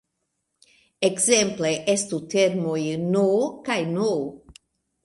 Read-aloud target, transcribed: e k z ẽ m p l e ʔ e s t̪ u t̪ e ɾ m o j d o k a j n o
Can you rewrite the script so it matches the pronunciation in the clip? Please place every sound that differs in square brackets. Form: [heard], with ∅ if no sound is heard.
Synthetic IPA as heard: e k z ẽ m p l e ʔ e s t̪ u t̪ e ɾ m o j [n] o k a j n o